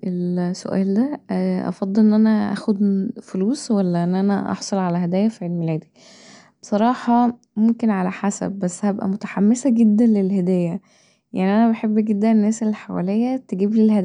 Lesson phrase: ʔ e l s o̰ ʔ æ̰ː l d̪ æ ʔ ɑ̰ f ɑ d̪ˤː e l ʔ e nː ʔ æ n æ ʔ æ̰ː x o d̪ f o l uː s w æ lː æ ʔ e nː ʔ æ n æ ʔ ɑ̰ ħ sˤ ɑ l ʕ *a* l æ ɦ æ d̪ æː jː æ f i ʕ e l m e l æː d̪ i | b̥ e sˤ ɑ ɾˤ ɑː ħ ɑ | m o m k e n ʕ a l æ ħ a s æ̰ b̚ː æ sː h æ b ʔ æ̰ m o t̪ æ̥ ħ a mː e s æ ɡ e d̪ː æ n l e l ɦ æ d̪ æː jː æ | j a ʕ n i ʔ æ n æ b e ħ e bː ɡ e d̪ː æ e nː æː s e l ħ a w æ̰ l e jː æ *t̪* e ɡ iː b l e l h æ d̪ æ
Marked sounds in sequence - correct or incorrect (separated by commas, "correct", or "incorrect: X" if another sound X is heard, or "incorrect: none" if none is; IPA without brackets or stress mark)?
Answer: correct, correct